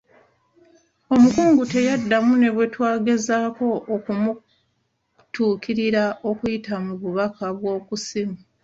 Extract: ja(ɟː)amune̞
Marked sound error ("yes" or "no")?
yes